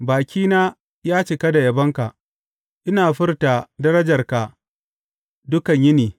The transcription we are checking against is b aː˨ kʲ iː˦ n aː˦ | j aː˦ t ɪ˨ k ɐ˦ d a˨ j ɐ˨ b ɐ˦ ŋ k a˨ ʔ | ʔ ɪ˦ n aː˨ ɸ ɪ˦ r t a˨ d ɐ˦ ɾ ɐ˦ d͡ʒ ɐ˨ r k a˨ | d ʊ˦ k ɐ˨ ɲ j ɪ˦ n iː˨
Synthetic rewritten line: b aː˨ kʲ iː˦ n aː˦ | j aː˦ t͡ʃ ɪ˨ k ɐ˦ d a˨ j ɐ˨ b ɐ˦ ŋ k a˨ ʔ | ʔ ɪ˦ n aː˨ ɸ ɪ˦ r t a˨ d ɐ˦ ɾ ɐ˦ d͡ʒ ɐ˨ r k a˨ | d ʊ˦ k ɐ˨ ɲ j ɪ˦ n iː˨